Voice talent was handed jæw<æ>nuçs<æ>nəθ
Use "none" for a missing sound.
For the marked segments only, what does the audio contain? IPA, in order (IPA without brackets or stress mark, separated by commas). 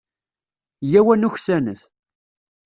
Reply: æ, æ